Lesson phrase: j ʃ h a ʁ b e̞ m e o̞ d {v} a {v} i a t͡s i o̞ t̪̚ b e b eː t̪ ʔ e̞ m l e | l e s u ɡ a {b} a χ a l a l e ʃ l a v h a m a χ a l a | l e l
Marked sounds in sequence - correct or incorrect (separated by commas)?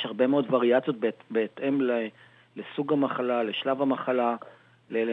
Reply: correct, incorrect, incorrect